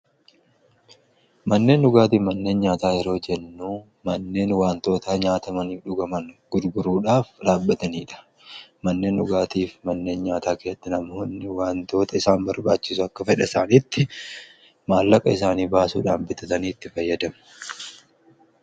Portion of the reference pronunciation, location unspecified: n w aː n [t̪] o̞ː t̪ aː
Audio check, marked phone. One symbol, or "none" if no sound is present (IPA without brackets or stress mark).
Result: t̪